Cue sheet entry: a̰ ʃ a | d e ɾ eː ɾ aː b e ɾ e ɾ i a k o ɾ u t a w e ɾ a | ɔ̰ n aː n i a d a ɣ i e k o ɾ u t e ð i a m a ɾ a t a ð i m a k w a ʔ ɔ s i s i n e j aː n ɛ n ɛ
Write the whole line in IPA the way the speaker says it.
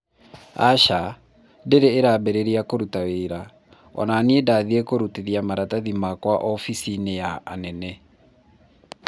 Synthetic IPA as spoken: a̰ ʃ a | d e ɾ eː ɾ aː b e ɾ e ɾ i a k o ɾ u t a w e ɾ a | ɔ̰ n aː n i e d a ð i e k o ɾ u t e ð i a m a ɾ a t a ð i m a k w a ʔ ɔ f i s i n e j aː n ɛ n ɛ